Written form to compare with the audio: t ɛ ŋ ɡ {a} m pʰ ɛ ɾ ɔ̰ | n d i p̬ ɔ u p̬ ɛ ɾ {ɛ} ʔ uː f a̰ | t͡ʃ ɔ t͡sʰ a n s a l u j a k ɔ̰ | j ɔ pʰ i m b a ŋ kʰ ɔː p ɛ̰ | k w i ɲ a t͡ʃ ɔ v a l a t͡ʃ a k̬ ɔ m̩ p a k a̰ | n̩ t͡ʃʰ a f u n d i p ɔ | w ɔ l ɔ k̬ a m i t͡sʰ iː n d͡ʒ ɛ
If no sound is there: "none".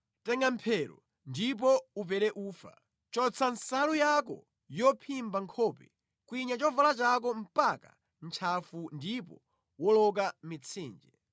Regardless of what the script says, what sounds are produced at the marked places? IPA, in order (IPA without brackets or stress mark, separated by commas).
a, ɛ